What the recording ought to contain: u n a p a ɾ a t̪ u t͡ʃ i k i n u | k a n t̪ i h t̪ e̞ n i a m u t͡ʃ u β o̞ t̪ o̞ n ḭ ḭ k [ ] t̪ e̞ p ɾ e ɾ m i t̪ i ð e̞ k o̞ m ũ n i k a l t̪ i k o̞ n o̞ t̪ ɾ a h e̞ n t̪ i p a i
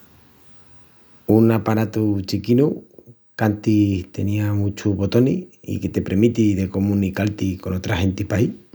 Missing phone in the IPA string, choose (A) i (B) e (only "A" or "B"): B